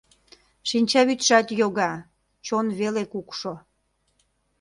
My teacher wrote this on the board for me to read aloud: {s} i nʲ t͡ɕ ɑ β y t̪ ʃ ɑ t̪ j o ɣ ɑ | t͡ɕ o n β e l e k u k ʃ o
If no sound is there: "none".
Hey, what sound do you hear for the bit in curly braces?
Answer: ʃ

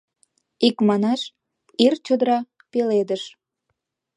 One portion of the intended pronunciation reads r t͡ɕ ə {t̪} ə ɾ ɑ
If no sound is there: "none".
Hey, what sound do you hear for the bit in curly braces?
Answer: d̪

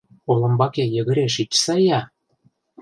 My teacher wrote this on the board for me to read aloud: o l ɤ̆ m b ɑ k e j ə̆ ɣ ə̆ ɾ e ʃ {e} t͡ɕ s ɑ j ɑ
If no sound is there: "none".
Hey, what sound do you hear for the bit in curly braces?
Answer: i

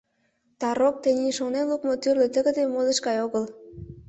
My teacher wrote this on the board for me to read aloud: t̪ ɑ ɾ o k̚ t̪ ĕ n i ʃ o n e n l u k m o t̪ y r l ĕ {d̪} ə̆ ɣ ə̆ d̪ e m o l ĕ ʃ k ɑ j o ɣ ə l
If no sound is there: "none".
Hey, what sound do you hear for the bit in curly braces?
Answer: t̪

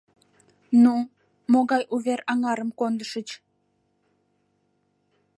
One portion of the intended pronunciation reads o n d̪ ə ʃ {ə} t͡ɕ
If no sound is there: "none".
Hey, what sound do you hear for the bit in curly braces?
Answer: ə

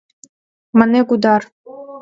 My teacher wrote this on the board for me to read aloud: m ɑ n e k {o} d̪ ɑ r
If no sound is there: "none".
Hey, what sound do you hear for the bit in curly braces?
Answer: u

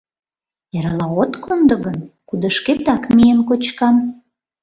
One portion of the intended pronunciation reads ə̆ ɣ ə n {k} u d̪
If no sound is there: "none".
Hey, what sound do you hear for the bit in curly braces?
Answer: k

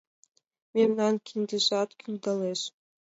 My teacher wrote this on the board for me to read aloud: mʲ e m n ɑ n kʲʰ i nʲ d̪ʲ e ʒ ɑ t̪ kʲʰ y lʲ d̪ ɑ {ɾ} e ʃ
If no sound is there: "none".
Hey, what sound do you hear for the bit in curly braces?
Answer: l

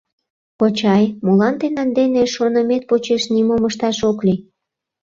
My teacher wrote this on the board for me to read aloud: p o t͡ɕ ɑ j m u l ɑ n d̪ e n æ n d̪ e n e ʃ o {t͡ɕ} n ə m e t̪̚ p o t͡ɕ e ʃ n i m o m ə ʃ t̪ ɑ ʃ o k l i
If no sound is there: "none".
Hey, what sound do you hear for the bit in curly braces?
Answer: none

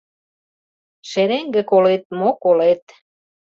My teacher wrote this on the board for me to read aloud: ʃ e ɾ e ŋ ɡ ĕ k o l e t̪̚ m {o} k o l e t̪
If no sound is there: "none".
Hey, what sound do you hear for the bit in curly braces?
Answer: o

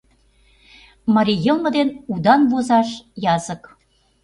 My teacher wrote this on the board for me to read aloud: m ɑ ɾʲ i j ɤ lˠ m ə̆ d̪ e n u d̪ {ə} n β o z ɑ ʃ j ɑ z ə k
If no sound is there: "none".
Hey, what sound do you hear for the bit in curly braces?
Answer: ɑ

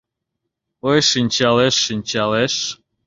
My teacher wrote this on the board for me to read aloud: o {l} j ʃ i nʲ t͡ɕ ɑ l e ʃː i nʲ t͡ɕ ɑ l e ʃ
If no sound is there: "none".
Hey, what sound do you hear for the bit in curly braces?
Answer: none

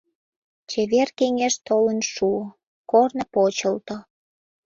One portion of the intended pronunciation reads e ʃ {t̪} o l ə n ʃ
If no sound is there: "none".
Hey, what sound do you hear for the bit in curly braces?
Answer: t̪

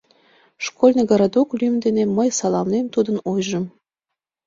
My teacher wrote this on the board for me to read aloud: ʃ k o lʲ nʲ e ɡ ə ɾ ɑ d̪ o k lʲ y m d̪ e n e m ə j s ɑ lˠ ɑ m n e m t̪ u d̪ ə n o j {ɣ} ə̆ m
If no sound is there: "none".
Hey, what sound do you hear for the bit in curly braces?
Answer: ʒ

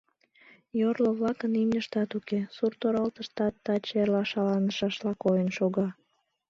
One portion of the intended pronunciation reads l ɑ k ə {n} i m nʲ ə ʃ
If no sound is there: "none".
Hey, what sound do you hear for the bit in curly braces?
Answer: n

